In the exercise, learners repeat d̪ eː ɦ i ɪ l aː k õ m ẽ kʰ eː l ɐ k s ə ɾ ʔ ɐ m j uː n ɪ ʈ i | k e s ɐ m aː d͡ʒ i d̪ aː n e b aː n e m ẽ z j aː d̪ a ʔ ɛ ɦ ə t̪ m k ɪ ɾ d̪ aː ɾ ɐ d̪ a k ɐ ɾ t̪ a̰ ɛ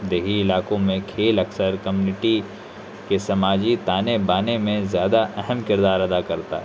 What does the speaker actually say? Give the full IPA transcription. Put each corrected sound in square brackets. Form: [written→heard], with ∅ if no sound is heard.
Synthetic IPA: d̪ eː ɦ i ɪ l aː k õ m ẽ kʰ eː l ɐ k s ə ɾ [ʔ→k] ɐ m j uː n ɪ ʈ i | k e s ɐ m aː d͡ʒ i [d̪→t̪] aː n e b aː n e m ẽ z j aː d̪ a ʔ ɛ ɦ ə [t̪→∅] m k ɪ ɾ d̪ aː ɾ ɐ d̪ a k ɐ ɾ t̪ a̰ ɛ